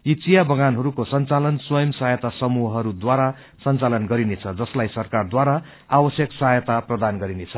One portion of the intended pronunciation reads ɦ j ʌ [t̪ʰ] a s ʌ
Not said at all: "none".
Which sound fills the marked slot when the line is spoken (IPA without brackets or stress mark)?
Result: t̪